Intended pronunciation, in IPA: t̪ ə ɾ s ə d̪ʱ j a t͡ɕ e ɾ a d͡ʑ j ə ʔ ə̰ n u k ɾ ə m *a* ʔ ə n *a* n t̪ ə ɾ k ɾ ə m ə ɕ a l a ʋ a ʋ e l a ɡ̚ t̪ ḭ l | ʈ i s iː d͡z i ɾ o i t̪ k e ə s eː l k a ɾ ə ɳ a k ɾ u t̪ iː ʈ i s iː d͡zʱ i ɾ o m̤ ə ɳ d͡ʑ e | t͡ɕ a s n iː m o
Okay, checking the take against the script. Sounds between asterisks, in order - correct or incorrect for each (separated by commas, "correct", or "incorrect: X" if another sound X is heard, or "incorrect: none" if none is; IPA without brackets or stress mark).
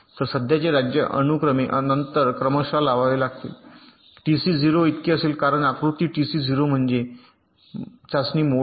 incorrect: e, incorrect: ə